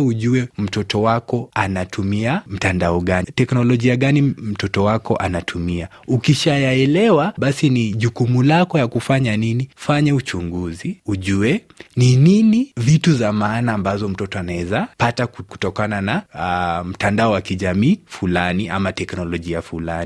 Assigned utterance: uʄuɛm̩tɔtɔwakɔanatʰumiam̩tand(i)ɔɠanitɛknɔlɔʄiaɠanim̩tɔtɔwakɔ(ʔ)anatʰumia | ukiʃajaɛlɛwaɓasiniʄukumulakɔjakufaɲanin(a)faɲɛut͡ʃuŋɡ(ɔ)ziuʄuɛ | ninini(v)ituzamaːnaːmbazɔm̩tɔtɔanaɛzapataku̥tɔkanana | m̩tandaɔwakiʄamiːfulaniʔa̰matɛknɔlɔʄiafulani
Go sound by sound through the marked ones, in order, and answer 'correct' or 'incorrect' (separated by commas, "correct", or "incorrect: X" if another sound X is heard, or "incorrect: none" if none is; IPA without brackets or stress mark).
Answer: incorrect: a, correct, incorrect: i, incorrect: u, correct